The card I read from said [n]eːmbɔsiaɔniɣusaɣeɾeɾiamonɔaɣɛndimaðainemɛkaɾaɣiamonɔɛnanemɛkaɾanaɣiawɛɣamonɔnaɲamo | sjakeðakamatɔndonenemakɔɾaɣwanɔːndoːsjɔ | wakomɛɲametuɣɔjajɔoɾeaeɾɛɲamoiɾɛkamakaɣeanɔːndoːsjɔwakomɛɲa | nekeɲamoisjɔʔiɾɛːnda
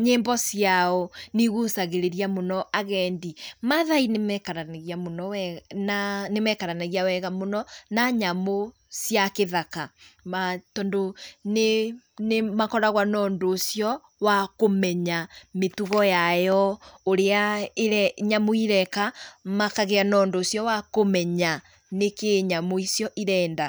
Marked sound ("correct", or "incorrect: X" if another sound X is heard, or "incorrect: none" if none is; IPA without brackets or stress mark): incorrect: ɲ